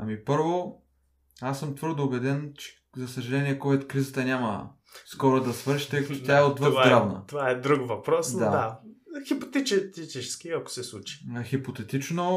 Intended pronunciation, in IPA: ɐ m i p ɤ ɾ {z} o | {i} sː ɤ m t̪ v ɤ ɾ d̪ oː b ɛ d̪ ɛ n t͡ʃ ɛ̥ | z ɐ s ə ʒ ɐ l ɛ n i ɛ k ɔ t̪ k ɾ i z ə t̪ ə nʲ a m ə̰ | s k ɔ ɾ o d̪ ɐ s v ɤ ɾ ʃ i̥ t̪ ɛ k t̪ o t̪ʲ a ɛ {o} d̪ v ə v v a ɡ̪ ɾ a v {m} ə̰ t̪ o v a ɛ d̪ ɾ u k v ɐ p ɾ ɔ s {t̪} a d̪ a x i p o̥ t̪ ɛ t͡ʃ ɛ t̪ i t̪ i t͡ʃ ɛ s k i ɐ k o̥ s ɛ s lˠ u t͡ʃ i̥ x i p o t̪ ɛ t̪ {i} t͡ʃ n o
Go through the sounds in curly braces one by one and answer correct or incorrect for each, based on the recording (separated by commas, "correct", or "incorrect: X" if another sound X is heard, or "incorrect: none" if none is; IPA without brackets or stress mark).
incorrect: v, incorrect: a, correct, incorrect: n, incorrect: d̪, correct